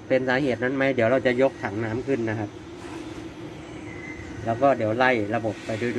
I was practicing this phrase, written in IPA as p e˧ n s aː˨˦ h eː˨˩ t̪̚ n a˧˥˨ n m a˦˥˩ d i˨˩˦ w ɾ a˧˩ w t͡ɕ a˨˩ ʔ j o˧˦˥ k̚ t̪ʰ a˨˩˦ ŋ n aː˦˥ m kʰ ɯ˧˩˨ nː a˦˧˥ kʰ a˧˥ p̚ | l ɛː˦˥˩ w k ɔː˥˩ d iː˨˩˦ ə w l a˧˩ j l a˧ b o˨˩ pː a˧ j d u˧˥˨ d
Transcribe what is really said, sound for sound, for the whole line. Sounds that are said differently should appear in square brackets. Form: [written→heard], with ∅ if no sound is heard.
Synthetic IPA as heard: p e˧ n s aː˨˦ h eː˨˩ t̪̚ n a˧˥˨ n m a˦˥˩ d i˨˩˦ w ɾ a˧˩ w t͡ɕ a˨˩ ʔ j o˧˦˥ k̚ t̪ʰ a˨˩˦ ŋ n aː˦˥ m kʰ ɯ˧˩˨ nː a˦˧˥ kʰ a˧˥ p̚ | l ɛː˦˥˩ w k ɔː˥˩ d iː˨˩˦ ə w l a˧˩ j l a˧ b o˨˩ pː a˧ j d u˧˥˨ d